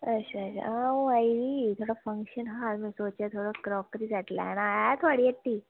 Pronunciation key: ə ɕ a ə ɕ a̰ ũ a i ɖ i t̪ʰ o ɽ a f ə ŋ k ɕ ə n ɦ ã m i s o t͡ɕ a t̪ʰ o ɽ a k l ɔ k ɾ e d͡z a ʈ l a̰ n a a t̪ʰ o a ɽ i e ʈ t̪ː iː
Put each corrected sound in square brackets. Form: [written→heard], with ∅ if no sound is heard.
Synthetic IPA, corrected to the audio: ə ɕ a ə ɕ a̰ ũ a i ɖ i t̪ʰ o ɽ a f ə ŋ k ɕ ə n ɦ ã m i s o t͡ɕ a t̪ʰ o ɽ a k [l→ɾ] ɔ k ɾ [e→i] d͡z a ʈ l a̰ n a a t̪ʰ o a ɽ i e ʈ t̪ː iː

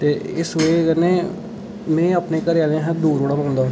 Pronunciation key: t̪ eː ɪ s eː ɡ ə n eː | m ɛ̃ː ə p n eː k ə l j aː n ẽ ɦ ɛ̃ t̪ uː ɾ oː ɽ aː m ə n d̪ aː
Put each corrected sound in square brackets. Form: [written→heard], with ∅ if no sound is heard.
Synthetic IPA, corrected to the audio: t̪ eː ɪ s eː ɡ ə n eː | m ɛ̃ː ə p n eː k ə [l→ɾ] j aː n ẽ ɦ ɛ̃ [t̪→d̪] uː ɾ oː ɽ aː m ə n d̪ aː

